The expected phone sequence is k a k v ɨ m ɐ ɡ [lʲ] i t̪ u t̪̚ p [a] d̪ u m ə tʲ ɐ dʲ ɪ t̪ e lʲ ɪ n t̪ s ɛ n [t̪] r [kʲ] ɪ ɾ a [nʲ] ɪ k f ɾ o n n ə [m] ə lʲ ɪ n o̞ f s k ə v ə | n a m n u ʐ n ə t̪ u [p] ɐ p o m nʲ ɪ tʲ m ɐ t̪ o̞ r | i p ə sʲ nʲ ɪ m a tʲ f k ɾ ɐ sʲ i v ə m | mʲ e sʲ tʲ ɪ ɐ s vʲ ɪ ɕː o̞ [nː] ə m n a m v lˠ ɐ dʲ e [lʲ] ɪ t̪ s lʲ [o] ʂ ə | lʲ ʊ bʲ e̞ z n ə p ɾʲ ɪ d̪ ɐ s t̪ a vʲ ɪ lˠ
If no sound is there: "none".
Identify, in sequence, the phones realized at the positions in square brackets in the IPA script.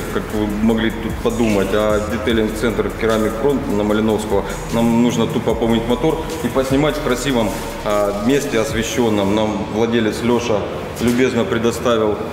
lʲ, ɐ, t̪, kʲ, mʲ, m, p, nː, lʲ, o

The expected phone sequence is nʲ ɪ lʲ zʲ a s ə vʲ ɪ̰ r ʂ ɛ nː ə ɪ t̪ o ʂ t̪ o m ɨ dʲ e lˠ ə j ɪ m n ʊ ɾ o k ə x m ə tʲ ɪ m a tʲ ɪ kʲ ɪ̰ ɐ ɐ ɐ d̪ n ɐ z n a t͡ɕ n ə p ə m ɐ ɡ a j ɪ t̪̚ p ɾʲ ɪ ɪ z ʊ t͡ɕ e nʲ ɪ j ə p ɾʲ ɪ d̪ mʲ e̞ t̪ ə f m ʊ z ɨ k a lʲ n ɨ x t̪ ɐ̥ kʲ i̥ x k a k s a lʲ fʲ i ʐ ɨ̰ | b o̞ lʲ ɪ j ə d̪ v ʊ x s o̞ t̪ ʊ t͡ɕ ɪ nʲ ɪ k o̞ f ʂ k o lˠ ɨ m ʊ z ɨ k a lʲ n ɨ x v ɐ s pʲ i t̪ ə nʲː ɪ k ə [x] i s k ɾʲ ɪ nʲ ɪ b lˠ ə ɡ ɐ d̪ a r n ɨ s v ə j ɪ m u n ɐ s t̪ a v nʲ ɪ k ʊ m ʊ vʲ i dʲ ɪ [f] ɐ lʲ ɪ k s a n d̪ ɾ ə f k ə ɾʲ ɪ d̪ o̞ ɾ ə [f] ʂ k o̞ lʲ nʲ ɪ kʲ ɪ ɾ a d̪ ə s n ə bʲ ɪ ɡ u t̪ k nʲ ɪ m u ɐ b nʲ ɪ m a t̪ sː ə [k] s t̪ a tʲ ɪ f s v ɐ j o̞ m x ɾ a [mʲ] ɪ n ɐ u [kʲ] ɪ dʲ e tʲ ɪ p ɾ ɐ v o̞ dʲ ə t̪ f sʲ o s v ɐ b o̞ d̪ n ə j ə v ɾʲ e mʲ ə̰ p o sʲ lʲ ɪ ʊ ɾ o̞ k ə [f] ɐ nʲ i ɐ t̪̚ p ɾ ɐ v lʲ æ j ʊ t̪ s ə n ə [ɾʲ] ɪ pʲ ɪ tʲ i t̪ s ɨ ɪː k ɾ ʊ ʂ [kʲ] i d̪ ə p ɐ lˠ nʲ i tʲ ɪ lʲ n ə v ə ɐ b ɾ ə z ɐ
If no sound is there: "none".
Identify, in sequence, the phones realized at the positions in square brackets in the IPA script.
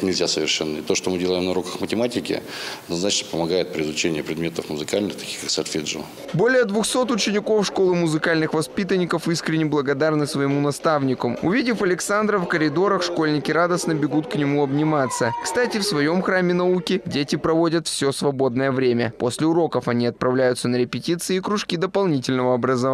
f, f, x, k, mʲ, kʲ, f, ɾʲ, kʲ

